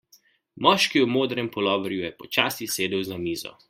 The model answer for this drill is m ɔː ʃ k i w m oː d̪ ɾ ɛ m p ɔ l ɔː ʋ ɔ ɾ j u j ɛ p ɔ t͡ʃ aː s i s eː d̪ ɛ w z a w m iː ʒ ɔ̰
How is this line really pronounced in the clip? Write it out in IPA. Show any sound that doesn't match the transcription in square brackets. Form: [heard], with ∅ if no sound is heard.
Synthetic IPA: m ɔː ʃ k i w m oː d̪ ɾ ɛ m p ɔ l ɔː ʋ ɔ ɾ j u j ɛ p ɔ t͡ʃ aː s i s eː d̪ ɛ w z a [∅] m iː [z] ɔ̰